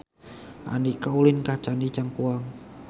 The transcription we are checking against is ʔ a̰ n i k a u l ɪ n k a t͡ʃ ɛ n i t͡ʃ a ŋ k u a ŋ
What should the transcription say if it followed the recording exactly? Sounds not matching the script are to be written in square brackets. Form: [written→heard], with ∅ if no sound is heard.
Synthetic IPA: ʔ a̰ n i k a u l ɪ n k a t͡ʃ [ɛ→a] n i t͡ʃ a ŋ k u a ŋ